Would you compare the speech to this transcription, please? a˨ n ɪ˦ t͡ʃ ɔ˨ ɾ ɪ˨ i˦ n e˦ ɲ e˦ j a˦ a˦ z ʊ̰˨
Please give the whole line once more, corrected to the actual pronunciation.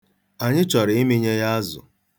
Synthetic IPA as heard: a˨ ɲ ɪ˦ t͡ʃ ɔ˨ ɾ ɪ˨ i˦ m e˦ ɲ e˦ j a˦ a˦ z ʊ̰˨